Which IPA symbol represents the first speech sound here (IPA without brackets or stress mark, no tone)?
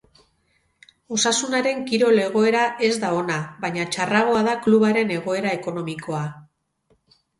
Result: o̞